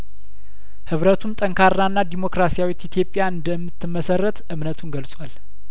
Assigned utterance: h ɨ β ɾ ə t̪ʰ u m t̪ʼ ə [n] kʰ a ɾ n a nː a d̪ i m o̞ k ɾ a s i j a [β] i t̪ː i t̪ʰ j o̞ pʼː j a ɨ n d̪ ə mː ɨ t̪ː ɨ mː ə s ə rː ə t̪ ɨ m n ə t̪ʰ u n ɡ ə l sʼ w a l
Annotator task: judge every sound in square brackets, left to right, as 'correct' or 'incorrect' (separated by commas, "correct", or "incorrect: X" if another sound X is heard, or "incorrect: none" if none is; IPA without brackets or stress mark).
incorrect: ŋ, incorrect: w